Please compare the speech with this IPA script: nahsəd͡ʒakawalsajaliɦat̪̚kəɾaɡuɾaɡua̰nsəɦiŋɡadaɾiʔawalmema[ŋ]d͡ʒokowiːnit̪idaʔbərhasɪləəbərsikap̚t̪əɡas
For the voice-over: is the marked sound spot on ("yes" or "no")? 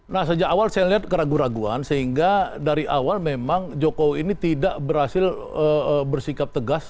yes